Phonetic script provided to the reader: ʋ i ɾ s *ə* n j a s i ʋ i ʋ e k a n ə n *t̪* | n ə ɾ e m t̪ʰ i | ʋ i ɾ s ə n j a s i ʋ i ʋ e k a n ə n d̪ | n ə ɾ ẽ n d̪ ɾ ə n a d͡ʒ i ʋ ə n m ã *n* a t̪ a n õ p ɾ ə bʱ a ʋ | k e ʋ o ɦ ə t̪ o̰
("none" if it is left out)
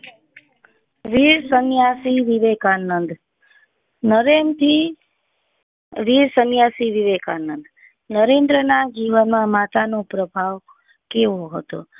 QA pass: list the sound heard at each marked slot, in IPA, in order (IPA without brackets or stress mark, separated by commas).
ə, d̪, m